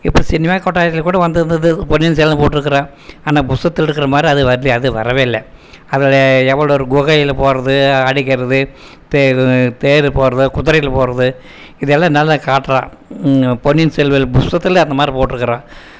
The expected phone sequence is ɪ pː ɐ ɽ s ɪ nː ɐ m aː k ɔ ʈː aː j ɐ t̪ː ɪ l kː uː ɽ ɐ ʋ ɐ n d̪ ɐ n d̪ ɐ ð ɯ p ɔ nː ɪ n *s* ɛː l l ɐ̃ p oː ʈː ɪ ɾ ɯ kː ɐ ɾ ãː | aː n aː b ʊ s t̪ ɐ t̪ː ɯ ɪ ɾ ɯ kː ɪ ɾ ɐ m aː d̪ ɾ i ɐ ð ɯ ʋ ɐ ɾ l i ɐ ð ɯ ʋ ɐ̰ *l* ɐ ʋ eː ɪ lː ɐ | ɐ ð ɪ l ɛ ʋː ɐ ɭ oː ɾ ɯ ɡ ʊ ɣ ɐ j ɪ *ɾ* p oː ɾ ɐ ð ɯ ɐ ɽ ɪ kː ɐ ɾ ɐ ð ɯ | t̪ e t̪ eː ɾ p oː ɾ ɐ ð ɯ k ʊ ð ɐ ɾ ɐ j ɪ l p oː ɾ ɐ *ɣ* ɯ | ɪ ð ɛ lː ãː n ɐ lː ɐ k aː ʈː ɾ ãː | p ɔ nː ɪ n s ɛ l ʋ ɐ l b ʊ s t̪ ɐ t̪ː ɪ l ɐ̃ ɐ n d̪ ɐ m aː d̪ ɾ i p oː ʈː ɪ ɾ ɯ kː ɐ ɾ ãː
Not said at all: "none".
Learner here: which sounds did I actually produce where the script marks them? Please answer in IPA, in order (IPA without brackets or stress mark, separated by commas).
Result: s, ɾ, l, ð